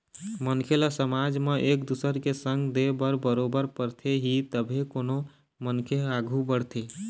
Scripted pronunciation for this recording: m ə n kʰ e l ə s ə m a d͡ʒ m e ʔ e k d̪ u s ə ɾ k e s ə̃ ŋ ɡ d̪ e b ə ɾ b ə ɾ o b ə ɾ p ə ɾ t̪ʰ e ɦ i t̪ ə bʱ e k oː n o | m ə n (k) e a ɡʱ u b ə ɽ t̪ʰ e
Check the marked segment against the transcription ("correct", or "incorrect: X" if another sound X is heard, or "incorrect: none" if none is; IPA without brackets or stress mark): incorrect: kʰ